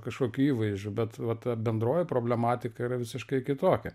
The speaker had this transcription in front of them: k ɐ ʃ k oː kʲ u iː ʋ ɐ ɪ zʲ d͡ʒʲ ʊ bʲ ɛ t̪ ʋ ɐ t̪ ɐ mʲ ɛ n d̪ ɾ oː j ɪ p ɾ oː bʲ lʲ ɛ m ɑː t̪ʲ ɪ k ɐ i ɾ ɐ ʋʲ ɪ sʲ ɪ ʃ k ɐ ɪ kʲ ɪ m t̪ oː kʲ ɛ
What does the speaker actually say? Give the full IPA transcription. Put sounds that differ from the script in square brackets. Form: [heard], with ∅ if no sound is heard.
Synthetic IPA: k ɐ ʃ k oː kʲ u iː ʋ ɐ ɪ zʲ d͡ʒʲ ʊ bʲ ɛ t̪ ʋ ɐ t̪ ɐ [bʲ] ɛ n d̪ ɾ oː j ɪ p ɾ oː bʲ lʲ ɛ m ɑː t̪ʲ ɪ k ɐ i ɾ ɐ ʋʲ ɪ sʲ ɪ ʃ k ɐ ɪ kʲ ɪ [∅] t̪ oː kʲ ɛ